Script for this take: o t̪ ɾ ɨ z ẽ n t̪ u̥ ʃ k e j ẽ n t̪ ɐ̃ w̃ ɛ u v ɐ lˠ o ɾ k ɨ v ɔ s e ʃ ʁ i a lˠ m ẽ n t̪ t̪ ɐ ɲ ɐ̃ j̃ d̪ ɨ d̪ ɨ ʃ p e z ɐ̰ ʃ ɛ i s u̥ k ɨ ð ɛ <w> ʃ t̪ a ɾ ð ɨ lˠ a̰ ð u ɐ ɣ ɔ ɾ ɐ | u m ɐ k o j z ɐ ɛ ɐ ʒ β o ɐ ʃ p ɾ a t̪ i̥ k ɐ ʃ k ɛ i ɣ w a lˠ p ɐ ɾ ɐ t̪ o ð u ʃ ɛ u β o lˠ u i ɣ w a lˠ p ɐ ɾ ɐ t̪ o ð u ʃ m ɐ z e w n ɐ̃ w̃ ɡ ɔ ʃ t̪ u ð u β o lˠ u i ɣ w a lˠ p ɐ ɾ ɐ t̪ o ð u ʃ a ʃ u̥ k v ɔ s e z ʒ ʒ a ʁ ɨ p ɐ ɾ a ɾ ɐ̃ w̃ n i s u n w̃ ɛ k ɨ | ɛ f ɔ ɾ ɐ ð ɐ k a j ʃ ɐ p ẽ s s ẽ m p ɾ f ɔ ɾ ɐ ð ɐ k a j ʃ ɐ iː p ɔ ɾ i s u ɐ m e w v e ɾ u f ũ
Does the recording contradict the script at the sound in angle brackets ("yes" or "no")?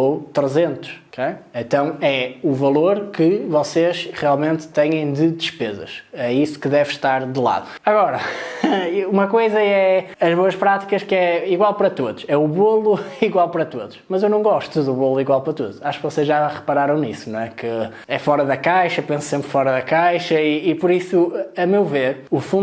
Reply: yes